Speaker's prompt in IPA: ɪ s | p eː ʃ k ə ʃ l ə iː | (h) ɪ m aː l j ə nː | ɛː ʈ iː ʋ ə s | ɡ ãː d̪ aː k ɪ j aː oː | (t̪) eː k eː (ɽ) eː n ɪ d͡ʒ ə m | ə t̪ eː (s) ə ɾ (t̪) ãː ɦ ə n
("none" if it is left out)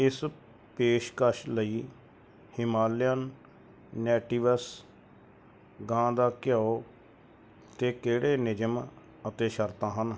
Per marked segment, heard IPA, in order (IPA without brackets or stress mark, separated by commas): h, t̪, ɽ, ʃ, t̪